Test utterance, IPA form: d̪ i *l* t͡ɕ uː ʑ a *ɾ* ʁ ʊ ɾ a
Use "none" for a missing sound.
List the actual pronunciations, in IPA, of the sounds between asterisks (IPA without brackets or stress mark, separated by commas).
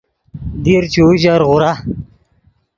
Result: ɾ, ɾ